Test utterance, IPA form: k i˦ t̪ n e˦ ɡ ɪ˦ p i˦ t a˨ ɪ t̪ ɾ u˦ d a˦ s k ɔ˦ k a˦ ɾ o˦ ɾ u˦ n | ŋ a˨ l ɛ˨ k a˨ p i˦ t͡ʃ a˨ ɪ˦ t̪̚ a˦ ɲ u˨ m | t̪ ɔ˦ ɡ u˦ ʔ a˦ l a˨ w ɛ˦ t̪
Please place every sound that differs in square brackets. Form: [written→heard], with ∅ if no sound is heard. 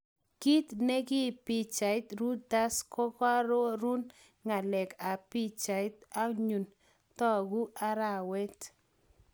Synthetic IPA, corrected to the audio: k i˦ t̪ n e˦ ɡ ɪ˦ p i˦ [t→t͡ʃ] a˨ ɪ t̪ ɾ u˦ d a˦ s k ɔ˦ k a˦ ɾ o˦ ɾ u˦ n | ŋ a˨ l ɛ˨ k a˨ p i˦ t͡ʃ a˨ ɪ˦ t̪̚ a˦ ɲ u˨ [m→n] | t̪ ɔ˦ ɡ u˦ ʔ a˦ [l→ɾ] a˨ w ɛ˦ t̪